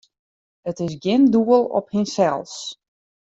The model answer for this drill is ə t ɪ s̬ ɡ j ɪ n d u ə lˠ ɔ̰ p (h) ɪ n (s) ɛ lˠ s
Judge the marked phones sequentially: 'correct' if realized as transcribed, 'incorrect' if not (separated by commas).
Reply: correct, correct